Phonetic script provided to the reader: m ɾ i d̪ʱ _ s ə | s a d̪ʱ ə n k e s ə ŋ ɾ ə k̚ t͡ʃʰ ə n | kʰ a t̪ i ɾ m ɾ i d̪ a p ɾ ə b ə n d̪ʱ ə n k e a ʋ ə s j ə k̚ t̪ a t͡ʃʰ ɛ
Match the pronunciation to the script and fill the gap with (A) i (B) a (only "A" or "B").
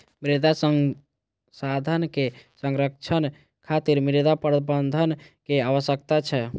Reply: B